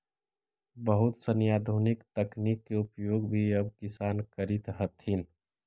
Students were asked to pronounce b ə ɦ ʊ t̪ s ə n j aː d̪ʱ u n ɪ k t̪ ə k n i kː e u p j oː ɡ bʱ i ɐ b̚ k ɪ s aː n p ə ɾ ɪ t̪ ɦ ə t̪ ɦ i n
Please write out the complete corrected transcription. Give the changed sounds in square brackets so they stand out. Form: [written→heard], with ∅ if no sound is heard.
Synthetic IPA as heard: b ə ɦ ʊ t̪ s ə n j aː d̪ʱ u n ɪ k t̪ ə k n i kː e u p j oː ɡ bʱ i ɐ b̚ k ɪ s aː n [p→k] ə ɾ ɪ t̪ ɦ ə t̪ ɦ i n